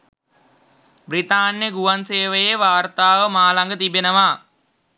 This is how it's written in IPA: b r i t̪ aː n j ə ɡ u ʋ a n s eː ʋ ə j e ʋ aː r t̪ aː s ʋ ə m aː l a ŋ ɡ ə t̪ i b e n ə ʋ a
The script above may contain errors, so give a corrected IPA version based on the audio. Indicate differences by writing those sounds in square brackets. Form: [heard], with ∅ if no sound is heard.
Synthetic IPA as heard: b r i t̪ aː n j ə ɡ u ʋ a n s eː ʋ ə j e ʋ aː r t̪ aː [∅] ʋ ə m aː l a ŋ ɡ ə t̪ i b e n ə ʋ a